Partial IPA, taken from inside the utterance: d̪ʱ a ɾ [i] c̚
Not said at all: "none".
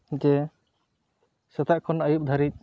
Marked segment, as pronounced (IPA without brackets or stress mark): i